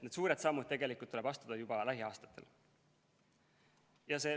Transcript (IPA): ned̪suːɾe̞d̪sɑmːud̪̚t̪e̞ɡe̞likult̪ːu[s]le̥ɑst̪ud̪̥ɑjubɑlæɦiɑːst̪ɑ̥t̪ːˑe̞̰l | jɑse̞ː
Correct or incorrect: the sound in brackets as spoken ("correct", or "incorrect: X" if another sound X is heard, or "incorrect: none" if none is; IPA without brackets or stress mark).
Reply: incorrect: none